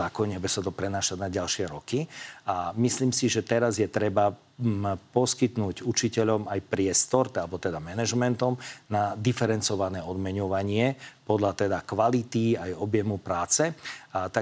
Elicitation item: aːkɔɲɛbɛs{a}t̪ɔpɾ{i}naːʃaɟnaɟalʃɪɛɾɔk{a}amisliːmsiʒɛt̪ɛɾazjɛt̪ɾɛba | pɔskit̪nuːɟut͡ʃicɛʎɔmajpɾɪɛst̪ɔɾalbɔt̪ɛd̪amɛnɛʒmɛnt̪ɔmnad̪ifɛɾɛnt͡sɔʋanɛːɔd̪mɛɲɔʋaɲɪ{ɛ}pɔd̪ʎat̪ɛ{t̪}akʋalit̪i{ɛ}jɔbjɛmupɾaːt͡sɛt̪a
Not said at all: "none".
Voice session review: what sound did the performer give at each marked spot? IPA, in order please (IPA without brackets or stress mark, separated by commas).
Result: a, ɛ, i, ɛ, d̪, a